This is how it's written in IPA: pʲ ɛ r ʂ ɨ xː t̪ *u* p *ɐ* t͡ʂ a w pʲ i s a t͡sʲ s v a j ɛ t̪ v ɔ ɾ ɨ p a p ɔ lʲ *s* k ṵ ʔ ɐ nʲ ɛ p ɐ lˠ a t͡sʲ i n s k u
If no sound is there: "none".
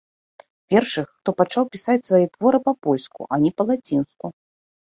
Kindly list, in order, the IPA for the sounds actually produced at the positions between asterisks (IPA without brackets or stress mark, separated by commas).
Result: ɔ, a, s